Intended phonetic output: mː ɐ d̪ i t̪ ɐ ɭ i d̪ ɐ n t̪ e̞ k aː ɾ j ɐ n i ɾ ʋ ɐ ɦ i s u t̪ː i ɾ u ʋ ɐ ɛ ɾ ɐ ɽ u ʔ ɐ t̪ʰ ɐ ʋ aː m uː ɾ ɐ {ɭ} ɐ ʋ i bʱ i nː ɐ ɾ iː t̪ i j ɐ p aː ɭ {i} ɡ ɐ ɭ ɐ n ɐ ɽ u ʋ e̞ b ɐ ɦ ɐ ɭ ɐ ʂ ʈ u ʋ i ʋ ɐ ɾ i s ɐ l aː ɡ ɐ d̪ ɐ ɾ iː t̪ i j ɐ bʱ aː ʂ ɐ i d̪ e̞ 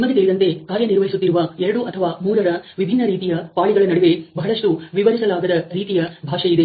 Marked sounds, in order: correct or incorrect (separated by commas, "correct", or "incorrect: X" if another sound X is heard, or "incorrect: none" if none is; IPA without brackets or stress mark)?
incorrect: ɾ, correct